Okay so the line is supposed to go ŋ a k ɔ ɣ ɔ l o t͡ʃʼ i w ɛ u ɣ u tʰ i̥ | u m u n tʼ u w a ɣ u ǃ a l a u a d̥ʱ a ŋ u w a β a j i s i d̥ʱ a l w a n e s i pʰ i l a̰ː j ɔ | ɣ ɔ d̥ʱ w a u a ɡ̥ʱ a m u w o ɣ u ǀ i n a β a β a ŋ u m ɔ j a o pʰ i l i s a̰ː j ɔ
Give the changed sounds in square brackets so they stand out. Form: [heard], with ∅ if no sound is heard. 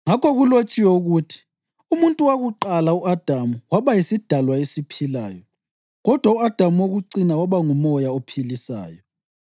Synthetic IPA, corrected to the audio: ŋ a k ɔ ɣ [u] l o t͡ʃʼ i w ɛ u ɣ u tʰ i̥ | u m u n tʼ u w a ɣ u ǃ a l a u a d̥ʱ a [m] u w a β a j i s i d̥ʱ a l w a [∅] e s i pʰ i l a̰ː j ɔ | ɣ ɔ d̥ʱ w a u a [d̥ʱ] a m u w o ɣ u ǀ i n a [w] a β a ŋ u m ɔ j a o pʰ i l i s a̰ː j ɔ